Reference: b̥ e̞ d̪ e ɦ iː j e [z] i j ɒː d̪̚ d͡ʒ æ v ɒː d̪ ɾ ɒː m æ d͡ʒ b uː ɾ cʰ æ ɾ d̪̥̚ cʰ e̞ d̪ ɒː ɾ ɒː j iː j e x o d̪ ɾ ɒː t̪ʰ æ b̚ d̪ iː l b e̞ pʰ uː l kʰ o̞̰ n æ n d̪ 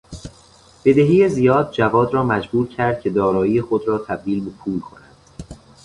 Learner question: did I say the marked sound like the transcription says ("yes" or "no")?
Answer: yes